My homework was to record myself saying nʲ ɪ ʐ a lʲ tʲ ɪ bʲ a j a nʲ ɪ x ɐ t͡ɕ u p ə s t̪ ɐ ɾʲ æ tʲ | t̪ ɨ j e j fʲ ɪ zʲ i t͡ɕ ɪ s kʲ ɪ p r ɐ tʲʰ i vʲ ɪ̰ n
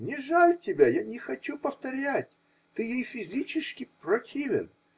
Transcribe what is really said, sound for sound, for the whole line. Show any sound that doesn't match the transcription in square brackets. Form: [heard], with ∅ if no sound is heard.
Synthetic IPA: nʲ ɪ ʐ a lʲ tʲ ɪ bʲ a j a nʲ ɪ x ɐ t͡ɕ u p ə [f] t̪ ɐ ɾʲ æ tʲ | t̪ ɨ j e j fʲ ɪ zʲ i t͡ɕ ɪ s kʲ ɪ p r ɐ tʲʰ i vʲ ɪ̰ n